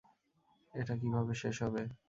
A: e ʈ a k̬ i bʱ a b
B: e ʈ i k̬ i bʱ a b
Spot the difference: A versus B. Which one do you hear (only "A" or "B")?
A